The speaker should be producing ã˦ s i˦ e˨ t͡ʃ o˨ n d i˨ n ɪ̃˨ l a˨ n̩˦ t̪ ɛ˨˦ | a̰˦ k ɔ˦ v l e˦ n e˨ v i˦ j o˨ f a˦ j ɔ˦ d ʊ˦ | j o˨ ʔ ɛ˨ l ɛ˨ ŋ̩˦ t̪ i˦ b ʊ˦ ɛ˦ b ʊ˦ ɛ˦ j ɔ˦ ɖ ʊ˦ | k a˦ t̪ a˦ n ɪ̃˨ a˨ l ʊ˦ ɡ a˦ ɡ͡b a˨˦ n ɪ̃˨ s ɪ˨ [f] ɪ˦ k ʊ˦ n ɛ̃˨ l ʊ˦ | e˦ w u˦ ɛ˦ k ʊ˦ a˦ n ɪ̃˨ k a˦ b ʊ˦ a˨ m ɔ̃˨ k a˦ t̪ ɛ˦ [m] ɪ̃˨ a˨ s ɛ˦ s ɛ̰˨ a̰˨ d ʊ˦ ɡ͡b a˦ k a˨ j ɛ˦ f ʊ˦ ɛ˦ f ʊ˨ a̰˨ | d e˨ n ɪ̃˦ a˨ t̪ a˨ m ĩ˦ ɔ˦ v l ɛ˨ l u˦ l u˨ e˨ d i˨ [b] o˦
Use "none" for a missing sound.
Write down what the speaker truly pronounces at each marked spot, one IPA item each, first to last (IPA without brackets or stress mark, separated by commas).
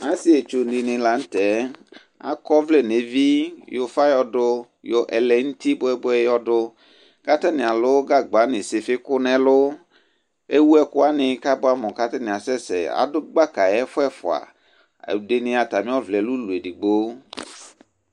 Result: f, n, ɡ͡b